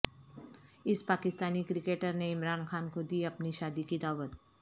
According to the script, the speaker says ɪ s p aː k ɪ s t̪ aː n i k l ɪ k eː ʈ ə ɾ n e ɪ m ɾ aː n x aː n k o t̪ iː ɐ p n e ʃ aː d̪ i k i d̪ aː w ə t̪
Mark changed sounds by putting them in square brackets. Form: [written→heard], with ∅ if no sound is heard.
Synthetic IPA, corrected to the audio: ɪ s p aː k ɪ s t̪ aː n i k [l→ɾ] ɪ k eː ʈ ə ɾ n e ɪ m ɾ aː n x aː n k o [t̪→d̪] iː ɐ p n [e→i] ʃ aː d̪ i k i d̪ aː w ə t̪